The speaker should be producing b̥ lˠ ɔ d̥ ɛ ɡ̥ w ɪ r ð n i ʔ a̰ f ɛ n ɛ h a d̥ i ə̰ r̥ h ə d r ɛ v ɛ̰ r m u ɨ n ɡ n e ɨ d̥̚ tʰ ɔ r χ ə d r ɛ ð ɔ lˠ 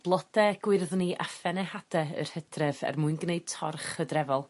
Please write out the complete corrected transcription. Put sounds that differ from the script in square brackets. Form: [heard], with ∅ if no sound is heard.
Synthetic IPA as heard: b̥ lˠ ɔ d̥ ɛ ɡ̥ w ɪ r ð n i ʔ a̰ f ɛ n ɛ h a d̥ [ɛ] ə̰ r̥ h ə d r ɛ v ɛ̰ r m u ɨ n ɡ n e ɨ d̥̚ tʰ ɔ r χ ə d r ɛ [v] ɔ lˠ